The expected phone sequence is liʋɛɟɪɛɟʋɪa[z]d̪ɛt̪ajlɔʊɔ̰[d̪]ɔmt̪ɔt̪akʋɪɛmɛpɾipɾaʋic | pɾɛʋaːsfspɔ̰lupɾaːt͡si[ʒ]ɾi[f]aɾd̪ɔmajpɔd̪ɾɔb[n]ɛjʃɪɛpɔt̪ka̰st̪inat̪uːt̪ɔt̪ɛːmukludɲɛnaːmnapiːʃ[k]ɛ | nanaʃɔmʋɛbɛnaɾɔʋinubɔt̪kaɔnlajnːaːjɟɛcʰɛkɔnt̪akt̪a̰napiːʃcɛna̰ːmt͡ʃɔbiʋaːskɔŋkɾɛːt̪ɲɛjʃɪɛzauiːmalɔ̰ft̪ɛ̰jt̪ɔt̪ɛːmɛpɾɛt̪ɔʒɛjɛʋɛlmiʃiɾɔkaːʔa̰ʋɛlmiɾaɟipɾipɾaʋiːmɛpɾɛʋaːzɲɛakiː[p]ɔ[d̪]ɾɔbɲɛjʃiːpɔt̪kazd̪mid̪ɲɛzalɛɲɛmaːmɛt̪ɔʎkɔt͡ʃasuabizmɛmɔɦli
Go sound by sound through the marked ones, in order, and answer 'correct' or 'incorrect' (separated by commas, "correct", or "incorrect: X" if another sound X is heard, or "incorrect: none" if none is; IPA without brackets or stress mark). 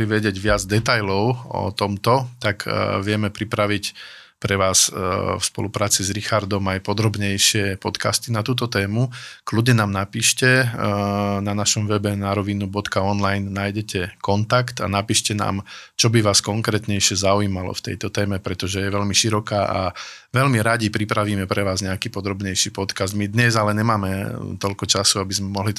incorrect: d͡z, incorrect: t̪, incorrect: z, incorrect: x, incorrect: ɲ, incorrect: c, correct, correct